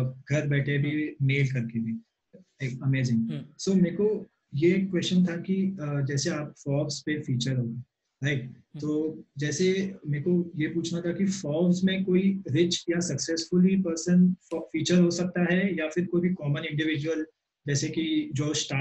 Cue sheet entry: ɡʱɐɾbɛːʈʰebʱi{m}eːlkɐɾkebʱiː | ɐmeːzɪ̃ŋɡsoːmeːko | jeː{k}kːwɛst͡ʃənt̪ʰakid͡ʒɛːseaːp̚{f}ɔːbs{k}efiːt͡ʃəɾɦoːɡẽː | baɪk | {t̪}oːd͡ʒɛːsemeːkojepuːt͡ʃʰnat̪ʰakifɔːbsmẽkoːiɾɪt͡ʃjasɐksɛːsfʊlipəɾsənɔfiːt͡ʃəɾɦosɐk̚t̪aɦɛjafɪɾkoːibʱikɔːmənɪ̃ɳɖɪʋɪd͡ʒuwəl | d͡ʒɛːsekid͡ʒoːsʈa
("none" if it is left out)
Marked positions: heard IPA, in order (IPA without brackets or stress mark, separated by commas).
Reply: m, k, f, p, t̪